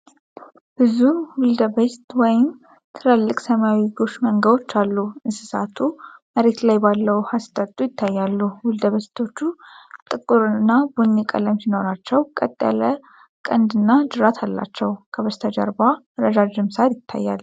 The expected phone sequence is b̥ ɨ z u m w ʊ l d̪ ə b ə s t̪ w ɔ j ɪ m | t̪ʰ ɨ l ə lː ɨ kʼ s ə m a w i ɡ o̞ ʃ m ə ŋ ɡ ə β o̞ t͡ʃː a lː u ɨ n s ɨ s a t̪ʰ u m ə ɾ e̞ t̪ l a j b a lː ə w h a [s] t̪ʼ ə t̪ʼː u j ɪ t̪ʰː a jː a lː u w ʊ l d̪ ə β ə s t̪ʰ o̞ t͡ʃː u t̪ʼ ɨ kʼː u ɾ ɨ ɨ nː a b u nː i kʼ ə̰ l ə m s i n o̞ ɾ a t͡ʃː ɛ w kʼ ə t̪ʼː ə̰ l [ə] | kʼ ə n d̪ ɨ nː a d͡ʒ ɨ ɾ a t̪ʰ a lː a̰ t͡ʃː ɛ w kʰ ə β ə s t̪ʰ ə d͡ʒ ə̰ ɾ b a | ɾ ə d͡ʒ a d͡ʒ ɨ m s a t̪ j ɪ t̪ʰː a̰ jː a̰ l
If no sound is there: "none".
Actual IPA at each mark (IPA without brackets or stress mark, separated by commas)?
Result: s, ə